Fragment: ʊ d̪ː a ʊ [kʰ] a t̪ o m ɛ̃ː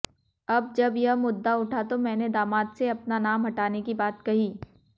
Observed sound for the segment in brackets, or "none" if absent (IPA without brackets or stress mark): ʈʰ